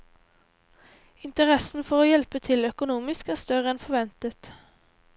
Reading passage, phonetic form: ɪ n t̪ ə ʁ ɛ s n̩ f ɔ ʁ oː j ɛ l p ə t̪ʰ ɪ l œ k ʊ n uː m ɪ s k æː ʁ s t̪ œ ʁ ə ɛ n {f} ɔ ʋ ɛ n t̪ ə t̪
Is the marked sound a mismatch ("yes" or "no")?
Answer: no